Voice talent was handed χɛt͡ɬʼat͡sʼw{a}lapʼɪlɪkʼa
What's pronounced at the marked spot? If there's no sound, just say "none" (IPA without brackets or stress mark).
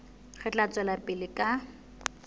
ɛ